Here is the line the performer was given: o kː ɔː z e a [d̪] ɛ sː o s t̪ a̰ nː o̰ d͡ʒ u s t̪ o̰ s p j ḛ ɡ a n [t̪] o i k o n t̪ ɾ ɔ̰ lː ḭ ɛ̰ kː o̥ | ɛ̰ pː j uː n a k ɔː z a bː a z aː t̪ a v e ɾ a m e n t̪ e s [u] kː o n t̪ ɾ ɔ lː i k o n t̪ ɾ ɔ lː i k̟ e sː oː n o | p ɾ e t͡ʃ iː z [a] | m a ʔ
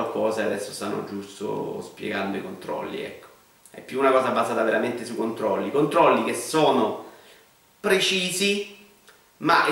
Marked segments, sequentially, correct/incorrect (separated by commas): correct, incorrect, correct, incorrect